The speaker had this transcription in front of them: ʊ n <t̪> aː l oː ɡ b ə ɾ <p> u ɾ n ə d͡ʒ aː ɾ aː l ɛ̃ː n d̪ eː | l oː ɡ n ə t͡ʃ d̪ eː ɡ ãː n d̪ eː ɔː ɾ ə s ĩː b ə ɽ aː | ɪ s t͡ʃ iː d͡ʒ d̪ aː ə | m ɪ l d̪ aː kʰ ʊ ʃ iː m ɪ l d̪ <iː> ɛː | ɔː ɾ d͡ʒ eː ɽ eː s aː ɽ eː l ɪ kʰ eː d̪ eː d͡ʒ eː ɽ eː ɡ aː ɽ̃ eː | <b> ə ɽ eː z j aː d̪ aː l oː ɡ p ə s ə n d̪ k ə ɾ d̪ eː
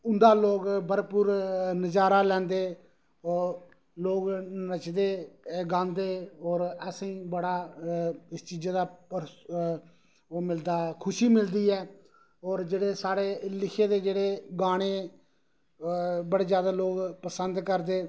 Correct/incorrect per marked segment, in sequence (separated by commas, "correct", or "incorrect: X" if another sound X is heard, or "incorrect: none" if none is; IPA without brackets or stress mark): incorrect: d̪, correct, correct, correct